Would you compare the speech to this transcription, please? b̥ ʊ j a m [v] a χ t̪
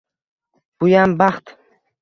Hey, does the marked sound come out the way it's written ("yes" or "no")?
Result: no